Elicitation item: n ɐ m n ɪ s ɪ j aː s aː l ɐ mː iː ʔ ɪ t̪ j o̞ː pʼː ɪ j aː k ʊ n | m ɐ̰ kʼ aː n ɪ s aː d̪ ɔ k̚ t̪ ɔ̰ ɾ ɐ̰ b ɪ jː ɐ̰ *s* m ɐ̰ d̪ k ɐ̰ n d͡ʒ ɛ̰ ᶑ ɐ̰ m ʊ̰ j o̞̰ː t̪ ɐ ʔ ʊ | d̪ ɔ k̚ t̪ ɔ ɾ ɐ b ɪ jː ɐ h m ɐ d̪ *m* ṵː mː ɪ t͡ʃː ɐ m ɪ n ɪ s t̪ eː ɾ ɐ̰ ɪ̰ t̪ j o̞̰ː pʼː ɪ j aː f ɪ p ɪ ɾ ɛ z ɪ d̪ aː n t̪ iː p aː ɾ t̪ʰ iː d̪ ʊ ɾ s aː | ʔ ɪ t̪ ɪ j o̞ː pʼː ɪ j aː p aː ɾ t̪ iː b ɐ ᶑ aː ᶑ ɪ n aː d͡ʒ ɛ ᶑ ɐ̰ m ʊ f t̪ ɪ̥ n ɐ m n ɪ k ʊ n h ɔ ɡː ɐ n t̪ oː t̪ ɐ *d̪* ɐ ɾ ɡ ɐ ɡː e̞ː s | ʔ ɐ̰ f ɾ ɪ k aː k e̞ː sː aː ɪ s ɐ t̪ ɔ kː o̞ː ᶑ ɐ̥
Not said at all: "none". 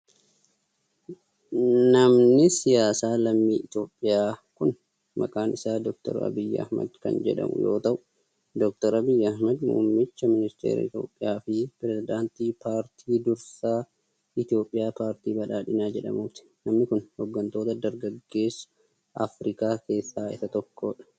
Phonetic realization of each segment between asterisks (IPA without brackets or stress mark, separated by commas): h, m, d̪